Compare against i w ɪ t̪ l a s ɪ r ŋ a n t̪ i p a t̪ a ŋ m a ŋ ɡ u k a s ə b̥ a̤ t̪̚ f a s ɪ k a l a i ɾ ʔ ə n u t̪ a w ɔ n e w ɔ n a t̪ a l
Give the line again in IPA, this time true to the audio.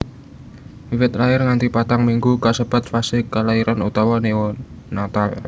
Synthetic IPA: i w ɪ t̪ l a ɪ r ŋ a n t̪ i p a t̪ a ŋ m i ŋ ɡ u k a s ə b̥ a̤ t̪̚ f a s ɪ k a l a i ɾ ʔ a n u t̪ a w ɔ n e w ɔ n a t̪ a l